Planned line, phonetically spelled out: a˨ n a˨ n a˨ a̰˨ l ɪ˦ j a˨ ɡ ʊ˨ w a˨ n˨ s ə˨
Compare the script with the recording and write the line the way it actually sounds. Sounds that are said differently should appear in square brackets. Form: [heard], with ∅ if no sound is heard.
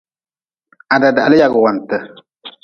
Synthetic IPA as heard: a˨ [d] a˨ [d] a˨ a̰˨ l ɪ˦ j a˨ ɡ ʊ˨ w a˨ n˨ [t] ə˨

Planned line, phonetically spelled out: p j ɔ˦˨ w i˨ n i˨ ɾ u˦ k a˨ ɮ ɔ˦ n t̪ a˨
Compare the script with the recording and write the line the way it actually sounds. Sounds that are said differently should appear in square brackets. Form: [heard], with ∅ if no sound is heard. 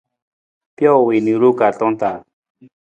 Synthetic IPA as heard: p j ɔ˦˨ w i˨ n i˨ ɾ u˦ k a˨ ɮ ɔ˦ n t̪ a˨

